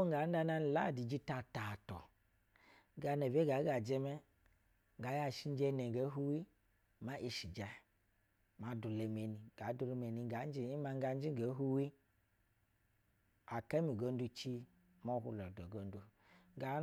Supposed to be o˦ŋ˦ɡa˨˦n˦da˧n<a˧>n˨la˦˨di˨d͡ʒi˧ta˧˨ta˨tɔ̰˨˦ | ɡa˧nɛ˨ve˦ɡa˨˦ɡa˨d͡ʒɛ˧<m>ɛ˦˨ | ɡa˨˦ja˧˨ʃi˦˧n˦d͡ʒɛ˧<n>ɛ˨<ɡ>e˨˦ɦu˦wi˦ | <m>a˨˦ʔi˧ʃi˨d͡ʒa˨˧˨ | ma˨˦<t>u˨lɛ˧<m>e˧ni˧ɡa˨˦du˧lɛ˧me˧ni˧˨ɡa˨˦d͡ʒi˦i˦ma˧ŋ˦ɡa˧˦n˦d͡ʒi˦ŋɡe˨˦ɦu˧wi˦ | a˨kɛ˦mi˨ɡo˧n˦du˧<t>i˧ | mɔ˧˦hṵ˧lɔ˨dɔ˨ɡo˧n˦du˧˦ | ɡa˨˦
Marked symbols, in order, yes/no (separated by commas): yes, yes, yes, yes, yes, no, yes, no